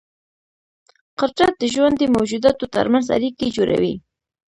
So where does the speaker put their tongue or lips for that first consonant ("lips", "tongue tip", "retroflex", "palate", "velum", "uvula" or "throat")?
uvula